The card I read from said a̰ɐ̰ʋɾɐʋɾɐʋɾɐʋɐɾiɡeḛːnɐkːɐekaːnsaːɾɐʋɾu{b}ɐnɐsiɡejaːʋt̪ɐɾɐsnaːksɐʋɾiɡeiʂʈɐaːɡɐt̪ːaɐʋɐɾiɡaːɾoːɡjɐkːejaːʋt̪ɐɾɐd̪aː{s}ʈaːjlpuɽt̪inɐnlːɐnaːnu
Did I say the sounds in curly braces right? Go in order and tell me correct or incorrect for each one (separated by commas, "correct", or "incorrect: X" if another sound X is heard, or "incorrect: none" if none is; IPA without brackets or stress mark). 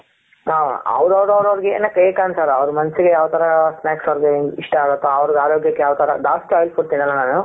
incorrect: m, correct